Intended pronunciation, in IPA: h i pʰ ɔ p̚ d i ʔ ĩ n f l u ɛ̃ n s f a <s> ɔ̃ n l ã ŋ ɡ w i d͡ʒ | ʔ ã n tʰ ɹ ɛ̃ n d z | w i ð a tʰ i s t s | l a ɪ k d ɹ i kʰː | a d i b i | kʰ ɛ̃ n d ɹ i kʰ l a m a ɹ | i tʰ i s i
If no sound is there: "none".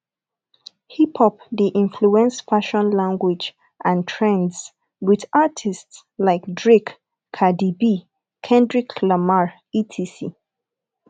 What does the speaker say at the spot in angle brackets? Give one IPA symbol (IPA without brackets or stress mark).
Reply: ʃ